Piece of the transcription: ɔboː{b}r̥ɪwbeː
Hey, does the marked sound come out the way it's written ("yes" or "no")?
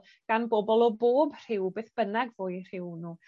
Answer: yes